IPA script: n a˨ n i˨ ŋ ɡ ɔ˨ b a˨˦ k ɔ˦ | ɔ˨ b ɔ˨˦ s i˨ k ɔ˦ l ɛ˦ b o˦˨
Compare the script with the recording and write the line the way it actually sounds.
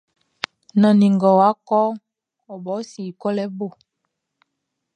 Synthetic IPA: n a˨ n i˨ ŋ ɡ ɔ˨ w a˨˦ k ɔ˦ | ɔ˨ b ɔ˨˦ s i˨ k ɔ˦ l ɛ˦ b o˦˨

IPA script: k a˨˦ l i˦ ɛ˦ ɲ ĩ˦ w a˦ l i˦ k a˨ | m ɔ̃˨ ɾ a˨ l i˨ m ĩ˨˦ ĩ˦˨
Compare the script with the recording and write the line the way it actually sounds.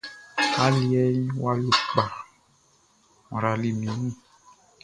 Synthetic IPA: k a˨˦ l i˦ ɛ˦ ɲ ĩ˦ w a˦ l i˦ k͡p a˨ | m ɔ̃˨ ɾ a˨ l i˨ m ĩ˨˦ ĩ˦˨

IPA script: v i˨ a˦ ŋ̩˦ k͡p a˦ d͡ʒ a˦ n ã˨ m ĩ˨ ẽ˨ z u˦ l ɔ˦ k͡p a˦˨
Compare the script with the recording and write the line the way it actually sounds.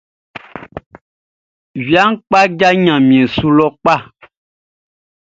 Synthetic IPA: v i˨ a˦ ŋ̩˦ k͡p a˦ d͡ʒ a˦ ɲ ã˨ m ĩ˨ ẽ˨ s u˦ l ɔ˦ k͡p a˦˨

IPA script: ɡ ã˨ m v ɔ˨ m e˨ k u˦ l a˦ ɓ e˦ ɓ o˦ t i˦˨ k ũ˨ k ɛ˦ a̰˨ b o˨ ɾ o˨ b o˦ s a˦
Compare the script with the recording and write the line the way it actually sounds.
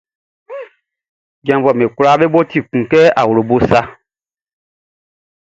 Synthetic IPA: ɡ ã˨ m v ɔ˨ m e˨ k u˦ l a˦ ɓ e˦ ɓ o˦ t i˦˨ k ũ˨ k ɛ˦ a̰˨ w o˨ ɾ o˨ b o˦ s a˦

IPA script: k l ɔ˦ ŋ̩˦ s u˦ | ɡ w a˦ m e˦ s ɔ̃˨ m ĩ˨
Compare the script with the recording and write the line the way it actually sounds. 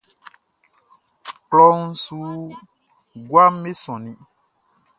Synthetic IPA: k l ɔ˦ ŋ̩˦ s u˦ | ɡ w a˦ m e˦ s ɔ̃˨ n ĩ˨

